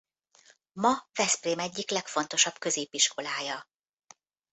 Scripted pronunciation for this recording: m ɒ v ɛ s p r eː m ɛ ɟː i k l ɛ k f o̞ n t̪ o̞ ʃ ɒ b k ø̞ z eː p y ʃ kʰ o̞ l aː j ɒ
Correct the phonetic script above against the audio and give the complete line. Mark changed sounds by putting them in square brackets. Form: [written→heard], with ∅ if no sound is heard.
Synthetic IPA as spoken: m ɒ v ɛ s p r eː m ɛ ɟː i k l ɛ k f o̞ n t̪ o̞ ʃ ɒ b k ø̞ z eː p [y→i] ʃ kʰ o̞ l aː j ɒ